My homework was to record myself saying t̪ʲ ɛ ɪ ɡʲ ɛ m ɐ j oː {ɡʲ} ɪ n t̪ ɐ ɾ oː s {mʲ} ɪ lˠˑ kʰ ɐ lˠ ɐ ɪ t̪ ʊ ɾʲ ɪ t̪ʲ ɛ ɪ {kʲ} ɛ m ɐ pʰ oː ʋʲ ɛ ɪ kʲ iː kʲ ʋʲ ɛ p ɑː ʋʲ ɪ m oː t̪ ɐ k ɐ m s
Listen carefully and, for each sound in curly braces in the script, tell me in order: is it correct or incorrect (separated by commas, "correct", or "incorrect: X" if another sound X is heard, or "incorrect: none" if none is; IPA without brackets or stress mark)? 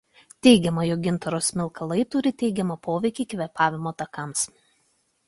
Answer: correct, correct, incorrect: ɡʲ